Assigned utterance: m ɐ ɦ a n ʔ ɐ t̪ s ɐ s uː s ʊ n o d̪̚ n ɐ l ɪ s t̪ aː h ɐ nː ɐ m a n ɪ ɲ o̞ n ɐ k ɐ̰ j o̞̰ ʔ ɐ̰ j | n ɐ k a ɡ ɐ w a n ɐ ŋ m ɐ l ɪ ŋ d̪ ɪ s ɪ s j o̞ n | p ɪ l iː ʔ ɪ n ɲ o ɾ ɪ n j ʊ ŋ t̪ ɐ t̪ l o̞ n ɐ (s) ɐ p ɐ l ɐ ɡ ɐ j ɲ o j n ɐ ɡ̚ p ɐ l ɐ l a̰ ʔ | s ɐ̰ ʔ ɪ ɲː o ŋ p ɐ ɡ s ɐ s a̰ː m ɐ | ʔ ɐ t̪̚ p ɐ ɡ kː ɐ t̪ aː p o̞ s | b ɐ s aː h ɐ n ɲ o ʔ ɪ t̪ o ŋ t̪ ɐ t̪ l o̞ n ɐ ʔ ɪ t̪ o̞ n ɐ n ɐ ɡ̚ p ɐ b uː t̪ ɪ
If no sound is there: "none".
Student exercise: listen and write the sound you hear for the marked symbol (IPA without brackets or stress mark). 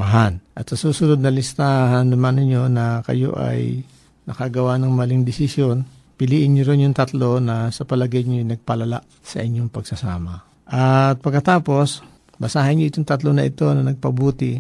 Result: s